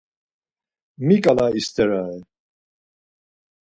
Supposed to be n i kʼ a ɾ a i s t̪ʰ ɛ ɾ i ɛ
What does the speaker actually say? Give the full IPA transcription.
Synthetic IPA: m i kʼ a l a i s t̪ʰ ɛ ɾ a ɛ